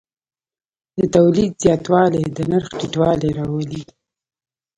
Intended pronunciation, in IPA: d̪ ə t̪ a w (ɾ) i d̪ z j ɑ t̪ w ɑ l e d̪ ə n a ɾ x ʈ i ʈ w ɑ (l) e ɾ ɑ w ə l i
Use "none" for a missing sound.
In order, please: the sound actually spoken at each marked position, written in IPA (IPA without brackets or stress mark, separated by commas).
l, l